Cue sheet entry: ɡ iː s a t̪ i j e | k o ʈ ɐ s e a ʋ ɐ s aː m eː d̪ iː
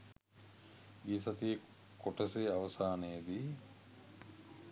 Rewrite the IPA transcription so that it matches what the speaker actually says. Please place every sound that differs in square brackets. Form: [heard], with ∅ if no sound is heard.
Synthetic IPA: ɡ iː s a t̪ i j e | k o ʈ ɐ s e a ʋ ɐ s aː [n] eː d̪ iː